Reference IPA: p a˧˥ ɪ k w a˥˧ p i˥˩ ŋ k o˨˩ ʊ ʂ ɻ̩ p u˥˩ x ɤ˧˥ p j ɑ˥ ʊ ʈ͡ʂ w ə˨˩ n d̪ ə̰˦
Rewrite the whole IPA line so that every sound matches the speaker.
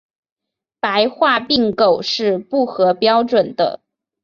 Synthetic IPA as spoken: p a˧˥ ɪ x w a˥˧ p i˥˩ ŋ k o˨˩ ʊ ʂ ɻ̩ p u˥˩ x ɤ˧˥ p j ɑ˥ ʊ ʈ͡ʂ w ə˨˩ n d̪ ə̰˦